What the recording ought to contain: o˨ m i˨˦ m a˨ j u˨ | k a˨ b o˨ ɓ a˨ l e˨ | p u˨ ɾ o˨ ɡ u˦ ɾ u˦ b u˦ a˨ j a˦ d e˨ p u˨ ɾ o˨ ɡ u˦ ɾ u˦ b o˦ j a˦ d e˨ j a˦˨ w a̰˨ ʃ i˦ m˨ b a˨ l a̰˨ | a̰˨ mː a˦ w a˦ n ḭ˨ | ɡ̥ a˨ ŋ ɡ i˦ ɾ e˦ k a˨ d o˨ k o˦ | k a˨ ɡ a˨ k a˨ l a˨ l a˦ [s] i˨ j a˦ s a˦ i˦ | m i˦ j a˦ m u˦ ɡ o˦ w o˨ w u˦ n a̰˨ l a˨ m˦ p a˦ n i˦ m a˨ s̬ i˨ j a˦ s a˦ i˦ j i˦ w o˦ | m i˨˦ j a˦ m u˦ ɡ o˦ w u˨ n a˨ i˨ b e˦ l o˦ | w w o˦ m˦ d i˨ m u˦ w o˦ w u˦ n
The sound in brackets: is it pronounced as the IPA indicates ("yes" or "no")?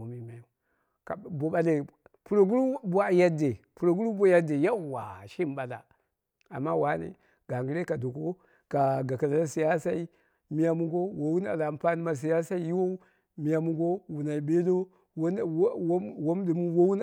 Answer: yes